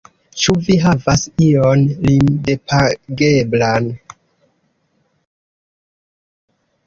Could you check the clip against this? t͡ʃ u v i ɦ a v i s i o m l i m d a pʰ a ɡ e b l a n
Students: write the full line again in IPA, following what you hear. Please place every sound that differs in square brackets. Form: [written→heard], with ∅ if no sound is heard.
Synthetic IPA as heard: t͡ʃ u v i ɦ a v [i→a] s i o [m→n] l i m d [a→e] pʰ a ɡ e b l a n